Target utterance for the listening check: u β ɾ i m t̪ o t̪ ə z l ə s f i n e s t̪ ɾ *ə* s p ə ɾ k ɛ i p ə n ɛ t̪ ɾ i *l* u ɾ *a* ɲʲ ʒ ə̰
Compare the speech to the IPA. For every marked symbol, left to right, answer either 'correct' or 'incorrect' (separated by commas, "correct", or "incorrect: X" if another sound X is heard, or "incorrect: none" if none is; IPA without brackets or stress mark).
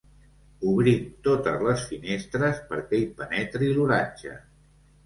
correct, correct, correct